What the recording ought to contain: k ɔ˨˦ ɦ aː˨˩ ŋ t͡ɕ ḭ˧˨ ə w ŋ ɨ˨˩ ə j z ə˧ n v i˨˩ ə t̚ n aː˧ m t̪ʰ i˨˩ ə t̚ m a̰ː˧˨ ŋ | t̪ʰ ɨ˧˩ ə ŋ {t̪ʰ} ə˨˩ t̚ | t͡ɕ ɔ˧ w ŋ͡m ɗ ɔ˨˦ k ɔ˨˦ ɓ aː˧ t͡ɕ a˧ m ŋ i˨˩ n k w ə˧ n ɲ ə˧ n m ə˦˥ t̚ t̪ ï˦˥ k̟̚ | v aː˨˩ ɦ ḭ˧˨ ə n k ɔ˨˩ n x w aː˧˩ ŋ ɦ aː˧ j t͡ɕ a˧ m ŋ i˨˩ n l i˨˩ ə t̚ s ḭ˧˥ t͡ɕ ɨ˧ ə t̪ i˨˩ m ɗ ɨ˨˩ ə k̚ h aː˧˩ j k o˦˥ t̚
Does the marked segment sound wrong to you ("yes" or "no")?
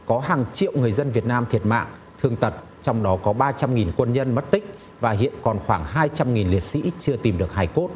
yes